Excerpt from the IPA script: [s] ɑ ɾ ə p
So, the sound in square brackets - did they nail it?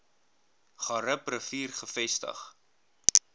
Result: no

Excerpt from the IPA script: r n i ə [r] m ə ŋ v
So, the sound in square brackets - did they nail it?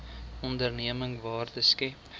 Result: no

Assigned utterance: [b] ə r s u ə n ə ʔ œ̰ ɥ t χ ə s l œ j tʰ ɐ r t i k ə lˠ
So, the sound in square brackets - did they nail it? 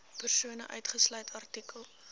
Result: no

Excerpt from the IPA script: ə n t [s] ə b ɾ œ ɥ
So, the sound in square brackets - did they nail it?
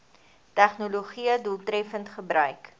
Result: no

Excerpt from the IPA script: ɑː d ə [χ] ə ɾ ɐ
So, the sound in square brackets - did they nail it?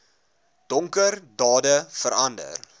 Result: no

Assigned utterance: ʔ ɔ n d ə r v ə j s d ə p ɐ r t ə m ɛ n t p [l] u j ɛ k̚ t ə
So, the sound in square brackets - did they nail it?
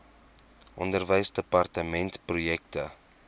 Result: no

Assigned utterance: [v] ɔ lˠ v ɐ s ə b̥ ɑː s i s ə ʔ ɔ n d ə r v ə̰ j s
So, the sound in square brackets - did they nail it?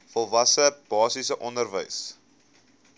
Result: no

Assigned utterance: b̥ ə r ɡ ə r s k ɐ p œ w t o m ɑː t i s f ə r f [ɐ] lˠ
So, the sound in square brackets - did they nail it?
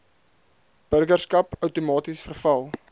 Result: yes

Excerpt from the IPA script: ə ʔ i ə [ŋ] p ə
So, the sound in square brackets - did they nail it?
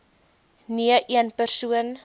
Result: no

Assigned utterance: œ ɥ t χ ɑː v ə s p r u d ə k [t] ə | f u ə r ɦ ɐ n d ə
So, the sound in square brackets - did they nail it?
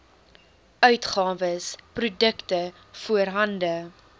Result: yes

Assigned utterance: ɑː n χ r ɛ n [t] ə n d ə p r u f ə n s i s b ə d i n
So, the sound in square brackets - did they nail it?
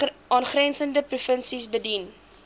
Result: no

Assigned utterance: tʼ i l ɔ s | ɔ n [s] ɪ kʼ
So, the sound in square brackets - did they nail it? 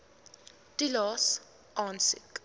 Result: yes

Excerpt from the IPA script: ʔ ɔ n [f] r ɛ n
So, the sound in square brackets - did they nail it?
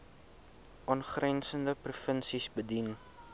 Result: no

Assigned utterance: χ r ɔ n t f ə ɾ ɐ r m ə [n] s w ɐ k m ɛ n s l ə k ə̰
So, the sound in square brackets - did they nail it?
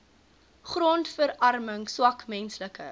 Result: no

